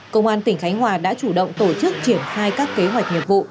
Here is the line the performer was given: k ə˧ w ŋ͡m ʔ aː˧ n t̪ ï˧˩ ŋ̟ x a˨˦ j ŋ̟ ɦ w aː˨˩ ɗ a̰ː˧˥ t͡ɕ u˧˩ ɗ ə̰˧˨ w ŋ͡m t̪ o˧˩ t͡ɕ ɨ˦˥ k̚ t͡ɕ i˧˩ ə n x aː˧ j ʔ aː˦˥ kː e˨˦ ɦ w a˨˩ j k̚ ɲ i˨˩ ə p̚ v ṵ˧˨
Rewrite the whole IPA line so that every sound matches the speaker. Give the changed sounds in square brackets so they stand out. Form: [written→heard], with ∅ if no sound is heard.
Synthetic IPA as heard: k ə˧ w ŋ͡m ʔ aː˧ n t̪ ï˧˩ ŋ̟ x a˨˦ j ŋ̟ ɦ w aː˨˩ ɗ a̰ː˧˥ t͡ɕ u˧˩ ɗ ə̰˧˨ w ŋ͡m t̪ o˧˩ t͡ɕ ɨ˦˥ k̚ t͡ɕ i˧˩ ə n x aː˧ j [ʔ→k] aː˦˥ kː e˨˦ ɦ w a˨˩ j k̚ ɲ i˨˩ ə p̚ v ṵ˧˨

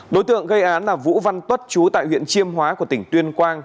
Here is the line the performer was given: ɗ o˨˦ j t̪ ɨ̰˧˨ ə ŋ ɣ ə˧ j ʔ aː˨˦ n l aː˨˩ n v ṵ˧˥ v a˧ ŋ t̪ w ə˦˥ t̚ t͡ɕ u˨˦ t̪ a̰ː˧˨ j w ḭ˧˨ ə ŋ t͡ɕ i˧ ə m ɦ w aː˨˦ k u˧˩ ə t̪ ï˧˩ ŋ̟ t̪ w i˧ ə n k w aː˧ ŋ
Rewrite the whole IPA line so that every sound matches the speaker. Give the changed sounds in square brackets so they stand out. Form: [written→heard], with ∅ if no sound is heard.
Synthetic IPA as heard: ɗ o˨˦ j t̪ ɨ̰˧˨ ə ŋ ɣ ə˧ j ʔ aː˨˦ n l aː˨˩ [n→∅] v ṵ˧˥ v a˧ [ŋ→n] t̪ w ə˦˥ t̚ t͡ɕ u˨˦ t̪ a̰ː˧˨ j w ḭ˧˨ ə [ŋ→n] t͡ɕ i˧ ə m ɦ w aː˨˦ k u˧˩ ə t̪ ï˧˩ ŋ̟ t̪ w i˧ ə n k w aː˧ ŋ

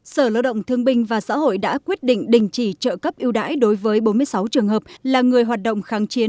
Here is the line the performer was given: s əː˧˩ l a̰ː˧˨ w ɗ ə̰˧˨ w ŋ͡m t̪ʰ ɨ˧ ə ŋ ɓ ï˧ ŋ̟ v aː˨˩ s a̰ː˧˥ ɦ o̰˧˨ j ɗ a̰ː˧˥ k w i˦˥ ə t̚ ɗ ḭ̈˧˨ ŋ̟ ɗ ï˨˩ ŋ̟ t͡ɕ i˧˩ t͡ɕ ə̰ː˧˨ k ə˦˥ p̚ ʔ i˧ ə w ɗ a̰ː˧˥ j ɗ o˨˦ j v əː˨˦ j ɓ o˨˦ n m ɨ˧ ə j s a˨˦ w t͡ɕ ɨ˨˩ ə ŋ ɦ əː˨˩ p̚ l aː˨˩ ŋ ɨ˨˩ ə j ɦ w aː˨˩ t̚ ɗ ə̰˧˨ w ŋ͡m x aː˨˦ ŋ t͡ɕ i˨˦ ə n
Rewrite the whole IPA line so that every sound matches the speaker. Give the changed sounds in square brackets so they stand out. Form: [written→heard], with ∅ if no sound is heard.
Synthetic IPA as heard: s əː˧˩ l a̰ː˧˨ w ɗ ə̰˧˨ w ŋ͡m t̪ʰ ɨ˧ ə ŋ ɓ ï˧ ŋ̟ v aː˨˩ s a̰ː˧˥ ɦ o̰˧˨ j ɗ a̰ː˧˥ k w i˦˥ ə t̚ ɗ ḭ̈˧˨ ŋ̟ ɗ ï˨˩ ŋ̟ t͡ɕ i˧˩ t͡ɕ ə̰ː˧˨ k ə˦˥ p̚ ʔ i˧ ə w ɗ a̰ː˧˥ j ɗ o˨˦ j v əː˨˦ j ɓ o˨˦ n m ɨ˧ ə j s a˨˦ w t͡ɕ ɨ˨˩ ə ŋ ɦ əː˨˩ p̚ l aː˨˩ ŋ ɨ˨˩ ə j ɦ w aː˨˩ t̚ ɗ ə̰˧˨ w ŋ͡m x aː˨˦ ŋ t͡ɕ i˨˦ ə n

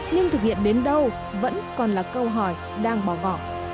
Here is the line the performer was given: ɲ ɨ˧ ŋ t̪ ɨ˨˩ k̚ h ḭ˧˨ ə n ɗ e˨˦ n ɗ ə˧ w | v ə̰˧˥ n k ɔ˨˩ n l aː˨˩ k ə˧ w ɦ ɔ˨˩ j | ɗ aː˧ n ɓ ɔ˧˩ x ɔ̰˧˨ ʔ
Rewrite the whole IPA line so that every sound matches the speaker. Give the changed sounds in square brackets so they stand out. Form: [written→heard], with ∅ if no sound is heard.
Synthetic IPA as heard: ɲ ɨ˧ ŋ t̪ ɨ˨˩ k̚ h ḭ˧˨ ə n ɗ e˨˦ n ɗ ə˧ w | v ə̰˧˥ n k ɔ˨˩ n l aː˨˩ k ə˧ w ɦ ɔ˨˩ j | ɗ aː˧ [n→ŋ] ɓ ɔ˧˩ [x→ɣ] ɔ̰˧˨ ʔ

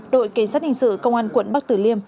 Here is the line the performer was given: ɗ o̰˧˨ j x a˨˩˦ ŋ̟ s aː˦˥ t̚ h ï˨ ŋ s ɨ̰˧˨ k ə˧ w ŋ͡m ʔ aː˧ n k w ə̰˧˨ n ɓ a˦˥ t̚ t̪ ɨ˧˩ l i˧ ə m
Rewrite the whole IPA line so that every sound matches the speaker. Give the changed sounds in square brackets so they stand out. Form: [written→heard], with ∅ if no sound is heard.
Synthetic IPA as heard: ɗ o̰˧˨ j [x→k] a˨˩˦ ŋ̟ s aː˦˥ t̚ h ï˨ ŋ s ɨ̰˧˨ k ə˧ w ŋ͡m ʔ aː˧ n k w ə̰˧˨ n ɓ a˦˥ [t̚→k̚] t̪ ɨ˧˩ l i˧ ə m

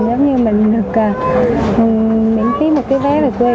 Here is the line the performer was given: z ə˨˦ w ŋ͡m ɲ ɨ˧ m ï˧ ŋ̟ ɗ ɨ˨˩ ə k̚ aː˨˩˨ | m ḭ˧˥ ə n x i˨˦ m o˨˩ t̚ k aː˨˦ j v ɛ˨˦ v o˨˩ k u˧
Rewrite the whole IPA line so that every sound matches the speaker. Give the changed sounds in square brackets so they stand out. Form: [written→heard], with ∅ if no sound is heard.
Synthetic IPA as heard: z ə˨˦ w ŋ͡m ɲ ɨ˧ m [ï˧→ï˨˩] ŋ̟ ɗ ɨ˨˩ ə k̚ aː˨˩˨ | m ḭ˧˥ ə n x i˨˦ m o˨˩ t̚ k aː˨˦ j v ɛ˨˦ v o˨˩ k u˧

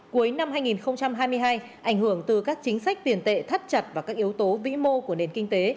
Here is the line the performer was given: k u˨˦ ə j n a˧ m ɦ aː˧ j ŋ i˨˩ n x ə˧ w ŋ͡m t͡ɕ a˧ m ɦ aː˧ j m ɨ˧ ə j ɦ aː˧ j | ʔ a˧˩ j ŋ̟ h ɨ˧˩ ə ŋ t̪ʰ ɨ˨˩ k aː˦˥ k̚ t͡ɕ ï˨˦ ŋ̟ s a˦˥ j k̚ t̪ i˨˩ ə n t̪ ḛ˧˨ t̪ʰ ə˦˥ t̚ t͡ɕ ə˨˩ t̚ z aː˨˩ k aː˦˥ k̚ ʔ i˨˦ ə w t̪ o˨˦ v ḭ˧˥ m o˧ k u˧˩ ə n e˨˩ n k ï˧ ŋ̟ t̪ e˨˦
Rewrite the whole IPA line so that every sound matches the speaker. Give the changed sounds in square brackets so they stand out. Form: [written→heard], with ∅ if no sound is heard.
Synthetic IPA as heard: k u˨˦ ə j n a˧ m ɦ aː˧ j ŋ i˨˩ n x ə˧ w ŋ͡m t͡ɕ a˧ m ɦ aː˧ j m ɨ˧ ə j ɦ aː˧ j | ʔ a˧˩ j ŋ̟ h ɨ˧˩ ə ŋ [t̪ʰ→t̪] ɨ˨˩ k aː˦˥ k̚ t͡ɕ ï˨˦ ŋ̟ s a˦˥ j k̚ t̪ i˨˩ ə n t̪ ḛ˧˨ t̪ʰ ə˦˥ t̚ t͡ɕ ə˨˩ t̚ [z→v] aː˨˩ k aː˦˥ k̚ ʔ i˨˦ ə w t̪ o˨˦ v ḭ˧˥ m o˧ k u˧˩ ə n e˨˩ n k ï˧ ŋ̟ t̪ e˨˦

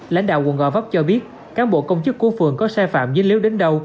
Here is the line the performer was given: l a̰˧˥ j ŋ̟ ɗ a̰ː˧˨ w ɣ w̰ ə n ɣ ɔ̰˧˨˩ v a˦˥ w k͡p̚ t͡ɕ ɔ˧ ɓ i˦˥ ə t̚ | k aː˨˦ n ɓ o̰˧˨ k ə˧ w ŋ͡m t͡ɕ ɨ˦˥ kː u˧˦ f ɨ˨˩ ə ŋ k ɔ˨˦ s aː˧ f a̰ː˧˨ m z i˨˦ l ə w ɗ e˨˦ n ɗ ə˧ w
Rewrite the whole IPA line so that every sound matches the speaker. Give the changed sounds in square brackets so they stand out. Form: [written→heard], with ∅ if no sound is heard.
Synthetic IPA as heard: l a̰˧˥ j ŋ̟ ɗ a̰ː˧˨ w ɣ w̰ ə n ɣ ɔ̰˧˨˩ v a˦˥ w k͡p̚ t͡ɕ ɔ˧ ɓ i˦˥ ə t̚ | k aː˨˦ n ɓ o̰˧˨ k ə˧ w ŋ͡m t͡ɕ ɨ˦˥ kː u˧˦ f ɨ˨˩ ə ŋ k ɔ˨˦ s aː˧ f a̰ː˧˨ m z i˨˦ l ə w ɗ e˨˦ n ɗ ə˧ w

